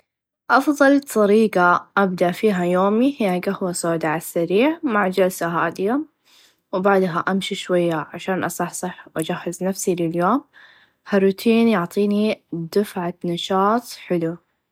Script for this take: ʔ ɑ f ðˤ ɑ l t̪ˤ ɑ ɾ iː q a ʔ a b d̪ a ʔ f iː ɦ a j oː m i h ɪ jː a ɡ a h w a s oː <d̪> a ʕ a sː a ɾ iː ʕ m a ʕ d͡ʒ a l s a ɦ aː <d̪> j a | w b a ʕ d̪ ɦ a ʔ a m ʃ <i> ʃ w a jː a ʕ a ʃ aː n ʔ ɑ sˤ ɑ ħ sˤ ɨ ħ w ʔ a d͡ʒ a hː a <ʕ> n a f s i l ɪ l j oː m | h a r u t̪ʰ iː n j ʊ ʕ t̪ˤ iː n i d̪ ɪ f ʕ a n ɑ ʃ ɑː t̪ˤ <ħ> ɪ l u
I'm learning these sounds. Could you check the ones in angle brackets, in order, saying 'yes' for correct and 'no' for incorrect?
yes, yes, yes, no, yes

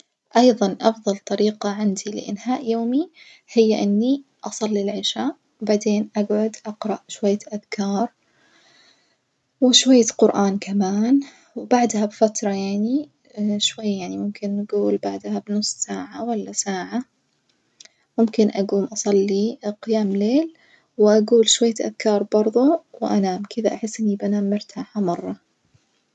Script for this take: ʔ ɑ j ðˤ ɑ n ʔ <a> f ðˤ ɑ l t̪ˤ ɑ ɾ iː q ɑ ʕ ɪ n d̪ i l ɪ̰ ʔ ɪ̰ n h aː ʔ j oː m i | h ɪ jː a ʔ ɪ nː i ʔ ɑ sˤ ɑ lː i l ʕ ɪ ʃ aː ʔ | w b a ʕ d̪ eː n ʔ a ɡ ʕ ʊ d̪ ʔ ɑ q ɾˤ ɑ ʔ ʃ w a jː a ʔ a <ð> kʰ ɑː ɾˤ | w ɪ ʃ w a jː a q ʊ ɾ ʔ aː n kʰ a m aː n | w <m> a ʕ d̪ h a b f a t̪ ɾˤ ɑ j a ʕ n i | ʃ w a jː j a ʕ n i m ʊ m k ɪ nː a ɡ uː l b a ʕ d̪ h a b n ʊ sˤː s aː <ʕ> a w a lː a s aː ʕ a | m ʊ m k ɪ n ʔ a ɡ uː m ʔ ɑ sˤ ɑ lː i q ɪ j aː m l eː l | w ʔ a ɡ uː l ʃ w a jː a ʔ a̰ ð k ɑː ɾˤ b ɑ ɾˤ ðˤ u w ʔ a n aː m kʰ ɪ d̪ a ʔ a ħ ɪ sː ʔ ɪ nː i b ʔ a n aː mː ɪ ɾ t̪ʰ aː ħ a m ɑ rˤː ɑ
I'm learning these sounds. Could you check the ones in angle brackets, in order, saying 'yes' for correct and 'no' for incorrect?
no, yes, no, yes

